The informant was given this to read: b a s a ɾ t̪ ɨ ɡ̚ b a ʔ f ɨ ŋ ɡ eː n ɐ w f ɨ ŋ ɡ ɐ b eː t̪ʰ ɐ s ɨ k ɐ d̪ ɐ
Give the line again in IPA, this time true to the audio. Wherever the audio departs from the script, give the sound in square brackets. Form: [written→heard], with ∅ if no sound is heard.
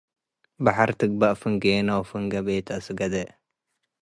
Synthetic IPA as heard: b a [s→ħ] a ɾ t̪ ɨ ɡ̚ b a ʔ f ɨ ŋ ɡ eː n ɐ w f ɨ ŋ ɡ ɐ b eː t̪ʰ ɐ s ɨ [k→ɡ] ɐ d̪ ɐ